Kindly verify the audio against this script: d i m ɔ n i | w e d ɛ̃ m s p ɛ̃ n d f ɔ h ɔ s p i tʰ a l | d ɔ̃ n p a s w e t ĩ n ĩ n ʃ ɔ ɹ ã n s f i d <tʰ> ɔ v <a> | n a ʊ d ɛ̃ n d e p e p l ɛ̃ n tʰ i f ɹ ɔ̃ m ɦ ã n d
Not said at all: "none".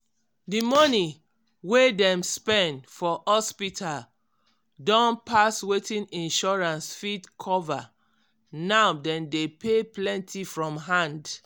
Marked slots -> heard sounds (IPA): kʰ, a

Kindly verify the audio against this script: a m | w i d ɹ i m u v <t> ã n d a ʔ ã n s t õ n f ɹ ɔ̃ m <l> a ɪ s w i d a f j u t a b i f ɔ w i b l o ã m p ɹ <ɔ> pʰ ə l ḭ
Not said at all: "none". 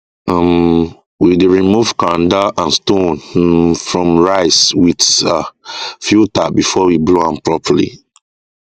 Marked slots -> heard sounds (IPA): k, ɹ, ɔ

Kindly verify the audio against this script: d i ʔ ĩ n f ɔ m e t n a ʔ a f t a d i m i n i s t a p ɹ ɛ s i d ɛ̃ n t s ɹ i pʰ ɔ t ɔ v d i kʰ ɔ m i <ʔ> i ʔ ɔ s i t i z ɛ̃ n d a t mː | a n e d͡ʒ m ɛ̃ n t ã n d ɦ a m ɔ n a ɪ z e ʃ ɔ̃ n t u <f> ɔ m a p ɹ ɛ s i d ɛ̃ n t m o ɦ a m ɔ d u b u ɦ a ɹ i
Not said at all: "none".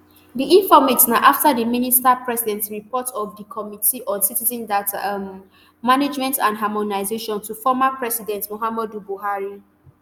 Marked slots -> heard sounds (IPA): t, f

